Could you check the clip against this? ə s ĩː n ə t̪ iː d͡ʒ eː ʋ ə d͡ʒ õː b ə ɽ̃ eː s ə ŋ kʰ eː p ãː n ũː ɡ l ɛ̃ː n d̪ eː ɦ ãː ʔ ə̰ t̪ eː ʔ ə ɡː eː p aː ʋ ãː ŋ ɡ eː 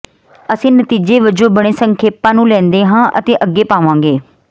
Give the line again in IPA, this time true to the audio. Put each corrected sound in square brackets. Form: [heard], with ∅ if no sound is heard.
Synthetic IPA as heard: ə s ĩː n ə t̪ iː d͡ʒ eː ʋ ə d͡ʒ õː b ə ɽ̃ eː s ə ŋ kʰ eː p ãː n ũː [∅] l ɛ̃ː n d̪ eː ɦ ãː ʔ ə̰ t̪ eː ʔ ə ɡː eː p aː ʋ ãː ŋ ɡ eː

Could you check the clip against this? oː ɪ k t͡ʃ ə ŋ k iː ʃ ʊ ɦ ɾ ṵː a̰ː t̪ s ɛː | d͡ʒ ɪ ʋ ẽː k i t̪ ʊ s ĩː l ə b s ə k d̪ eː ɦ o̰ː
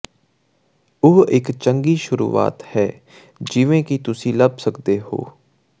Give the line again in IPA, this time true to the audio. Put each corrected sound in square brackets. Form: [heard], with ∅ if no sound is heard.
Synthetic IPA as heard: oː ɪ k t͡ʃ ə ŋ [ɡ] iː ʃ ʊ [∅] ɾ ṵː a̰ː t̪ [h] ɛː | d͡ʒ ɪ ʋ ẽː k i t̪ ʊ s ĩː l ə b s ə k d̪ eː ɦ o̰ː

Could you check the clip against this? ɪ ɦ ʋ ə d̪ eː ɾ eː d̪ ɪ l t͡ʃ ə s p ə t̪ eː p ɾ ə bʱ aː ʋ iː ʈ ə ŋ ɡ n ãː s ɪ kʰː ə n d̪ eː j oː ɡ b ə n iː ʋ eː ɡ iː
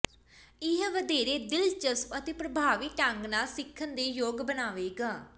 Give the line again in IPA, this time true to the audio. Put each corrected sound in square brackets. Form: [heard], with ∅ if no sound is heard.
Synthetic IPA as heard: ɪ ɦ ʋ ə d̪ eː ɾ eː d̪ ɪ l t͡ʃ ə s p ə t̪ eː p ɾ ə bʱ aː ʋ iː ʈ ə ŋ ɡ n [aː] s ɪ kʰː ə n d̪ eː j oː ɡ b ə n [aː] ʋ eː ɡ [aː]

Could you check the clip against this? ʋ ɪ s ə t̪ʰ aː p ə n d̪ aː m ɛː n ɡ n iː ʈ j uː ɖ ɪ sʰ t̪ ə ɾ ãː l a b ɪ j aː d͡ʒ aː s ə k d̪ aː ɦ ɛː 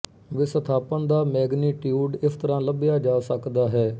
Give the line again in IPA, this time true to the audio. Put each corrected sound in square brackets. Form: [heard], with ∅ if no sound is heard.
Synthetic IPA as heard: ʋ ɪ s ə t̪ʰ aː p ə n d̪ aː m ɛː [∅] ɡ n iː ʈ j uː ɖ ɪ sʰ t̪ ə ɾ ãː l [ə] b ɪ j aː d͡ʒ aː s ə k d̪ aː ɦ ɛː

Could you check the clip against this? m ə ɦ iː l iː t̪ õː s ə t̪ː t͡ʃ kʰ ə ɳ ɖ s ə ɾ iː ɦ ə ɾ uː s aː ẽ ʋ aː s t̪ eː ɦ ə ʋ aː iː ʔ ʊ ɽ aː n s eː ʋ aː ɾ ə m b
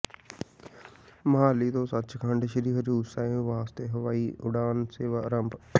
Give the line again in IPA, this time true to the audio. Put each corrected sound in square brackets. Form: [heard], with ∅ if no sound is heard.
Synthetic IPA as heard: m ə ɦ [aː] l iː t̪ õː s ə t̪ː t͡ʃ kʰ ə ɳ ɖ [ʃ] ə ɾ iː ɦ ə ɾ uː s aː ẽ ʋ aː s t̪ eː ɦ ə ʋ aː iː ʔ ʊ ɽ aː n s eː ʋ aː ɾ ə m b

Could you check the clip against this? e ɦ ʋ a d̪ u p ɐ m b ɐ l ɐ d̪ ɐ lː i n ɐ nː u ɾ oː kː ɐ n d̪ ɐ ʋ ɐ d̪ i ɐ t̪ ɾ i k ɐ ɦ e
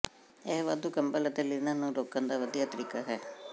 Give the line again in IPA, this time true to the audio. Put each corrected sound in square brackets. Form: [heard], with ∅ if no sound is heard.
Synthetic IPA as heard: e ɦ ʋ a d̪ u [k] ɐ m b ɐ l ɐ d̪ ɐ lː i n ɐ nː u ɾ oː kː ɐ n d̪ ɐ ʋ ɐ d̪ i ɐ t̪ ɾ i k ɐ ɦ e

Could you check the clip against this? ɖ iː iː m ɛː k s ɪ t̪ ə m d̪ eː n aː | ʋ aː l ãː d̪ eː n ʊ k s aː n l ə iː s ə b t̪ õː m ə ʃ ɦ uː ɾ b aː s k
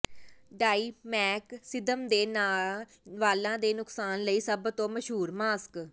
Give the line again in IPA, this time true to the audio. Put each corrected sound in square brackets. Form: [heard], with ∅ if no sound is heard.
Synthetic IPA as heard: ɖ [aː] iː m ɛː k s ɪ [d̪] ə m d̪ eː n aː | ʋ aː l ãː d̪ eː n ʊ k s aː n l ə iː s ə b t̪ õː m ə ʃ ɦ uː ɾ [m] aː s k

